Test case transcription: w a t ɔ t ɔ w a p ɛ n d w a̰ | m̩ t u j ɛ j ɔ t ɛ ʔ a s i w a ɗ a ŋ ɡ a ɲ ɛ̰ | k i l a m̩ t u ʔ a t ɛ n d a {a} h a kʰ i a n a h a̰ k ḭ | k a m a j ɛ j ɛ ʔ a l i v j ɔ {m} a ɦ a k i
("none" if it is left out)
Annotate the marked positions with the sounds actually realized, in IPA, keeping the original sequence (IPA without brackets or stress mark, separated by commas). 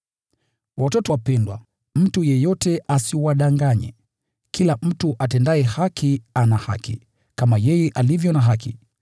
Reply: ɛ, n